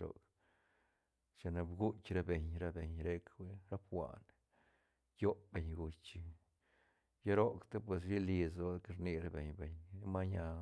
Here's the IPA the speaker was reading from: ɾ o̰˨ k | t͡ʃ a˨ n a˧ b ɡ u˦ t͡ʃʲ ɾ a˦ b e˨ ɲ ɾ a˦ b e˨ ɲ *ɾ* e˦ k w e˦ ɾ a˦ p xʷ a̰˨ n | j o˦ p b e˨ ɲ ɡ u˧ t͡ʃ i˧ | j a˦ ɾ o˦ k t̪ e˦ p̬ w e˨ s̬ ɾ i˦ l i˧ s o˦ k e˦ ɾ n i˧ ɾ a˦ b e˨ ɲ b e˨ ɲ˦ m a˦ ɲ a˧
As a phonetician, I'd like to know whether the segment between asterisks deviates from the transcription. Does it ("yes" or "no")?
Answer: no